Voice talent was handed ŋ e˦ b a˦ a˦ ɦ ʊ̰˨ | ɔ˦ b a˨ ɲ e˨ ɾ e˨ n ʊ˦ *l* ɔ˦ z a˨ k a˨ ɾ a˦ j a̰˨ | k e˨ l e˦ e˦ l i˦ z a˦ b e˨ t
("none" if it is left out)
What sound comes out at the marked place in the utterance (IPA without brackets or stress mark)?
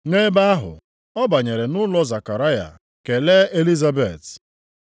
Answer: l